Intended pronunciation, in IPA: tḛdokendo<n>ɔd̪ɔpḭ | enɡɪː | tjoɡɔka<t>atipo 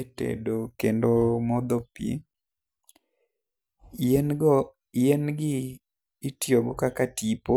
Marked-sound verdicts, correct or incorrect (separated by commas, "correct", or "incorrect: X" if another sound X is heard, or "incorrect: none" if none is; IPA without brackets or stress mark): incorrect: m, incorrect: k